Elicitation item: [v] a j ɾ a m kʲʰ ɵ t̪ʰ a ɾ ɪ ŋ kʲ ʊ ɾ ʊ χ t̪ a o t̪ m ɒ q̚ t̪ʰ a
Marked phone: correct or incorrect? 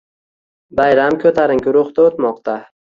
incorrect